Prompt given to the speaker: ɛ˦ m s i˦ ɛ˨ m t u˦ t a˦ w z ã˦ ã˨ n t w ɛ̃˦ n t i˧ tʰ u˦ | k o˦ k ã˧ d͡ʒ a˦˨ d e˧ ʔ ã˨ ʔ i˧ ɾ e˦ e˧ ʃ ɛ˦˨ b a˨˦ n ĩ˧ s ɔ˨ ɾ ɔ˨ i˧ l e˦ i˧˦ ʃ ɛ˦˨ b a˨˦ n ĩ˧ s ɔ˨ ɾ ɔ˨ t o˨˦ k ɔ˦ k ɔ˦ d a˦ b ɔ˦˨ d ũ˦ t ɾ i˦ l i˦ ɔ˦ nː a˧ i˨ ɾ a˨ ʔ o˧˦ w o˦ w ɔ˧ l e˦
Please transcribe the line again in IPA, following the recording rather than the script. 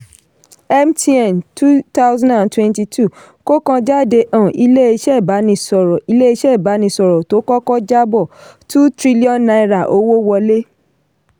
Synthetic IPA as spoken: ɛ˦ m t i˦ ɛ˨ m t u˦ t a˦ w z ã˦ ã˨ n t w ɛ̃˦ n t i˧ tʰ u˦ | k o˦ k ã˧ d͡ʒ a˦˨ d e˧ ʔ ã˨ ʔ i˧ l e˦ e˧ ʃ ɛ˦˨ b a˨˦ n ĩ˧ s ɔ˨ ɾ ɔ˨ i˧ l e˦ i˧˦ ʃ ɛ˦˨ b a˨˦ n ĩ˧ s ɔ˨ ɾ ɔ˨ t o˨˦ k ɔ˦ k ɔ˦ d͡ʒ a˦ b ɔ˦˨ t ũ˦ t ɾ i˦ l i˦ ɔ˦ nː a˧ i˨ ɾ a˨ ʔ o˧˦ w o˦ w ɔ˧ l e˦

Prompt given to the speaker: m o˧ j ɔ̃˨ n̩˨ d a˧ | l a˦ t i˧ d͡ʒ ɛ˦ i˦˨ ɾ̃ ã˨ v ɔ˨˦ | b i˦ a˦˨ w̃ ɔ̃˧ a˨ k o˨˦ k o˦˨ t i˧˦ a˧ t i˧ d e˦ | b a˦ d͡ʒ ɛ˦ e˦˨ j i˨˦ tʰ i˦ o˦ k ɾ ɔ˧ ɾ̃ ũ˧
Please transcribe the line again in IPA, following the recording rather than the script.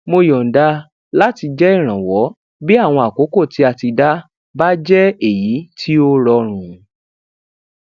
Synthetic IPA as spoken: m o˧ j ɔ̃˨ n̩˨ d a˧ | l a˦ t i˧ d͡ʒ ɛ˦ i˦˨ ɾ̃ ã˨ w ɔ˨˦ | b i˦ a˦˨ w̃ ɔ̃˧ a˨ k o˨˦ k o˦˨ t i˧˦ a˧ t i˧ d a˦ | b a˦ d͡ʒ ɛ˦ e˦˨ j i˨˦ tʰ i˦ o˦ ɾ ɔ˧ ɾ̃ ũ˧

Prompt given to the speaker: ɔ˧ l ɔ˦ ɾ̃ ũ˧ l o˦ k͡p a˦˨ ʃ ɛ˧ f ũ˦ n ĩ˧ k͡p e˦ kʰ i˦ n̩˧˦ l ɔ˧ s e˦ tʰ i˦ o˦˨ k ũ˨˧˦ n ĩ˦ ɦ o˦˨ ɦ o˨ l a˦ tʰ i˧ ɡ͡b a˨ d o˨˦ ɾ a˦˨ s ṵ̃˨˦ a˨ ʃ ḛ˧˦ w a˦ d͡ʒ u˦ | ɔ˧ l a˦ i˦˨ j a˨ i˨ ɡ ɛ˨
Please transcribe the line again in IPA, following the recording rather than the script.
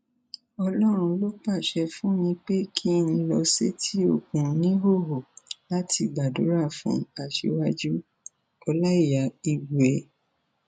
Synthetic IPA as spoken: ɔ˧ l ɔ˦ ɾ̃ ũ˧ l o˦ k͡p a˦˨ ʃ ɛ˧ f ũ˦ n ĩ˧ k͡p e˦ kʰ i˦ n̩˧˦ l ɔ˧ s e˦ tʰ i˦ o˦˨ k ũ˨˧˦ n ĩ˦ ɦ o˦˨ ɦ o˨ l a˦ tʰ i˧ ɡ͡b a˨ d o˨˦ ɾ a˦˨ f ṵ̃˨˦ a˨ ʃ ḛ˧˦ w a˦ d͡ʒ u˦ | ɔ˧ l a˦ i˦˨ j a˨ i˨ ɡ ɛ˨

